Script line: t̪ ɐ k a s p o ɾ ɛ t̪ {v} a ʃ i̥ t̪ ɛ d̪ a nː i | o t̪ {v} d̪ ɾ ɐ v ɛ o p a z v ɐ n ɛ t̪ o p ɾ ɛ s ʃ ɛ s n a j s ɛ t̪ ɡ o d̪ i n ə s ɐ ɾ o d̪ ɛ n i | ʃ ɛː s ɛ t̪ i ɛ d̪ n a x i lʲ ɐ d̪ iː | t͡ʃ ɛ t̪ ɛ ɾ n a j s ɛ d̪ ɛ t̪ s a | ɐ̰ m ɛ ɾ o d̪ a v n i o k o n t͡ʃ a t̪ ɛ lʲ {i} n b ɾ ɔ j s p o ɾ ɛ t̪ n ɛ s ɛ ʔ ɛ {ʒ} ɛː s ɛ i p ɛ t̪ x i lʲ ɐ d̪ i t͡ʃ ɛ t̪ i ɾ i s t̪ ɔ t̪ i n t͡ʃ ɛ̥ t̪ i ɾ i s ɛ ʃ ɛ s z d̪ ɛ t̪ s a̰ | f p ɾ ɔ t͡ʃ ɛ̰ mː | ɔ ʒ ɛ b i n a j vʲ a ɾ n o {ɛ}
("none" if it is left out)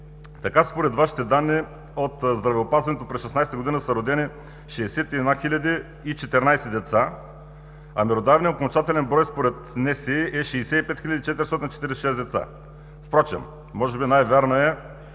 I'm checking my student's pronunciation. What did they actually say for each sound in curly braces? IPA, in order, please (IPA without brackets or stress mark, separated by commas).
v, z, ɛ, ʃ, ɛ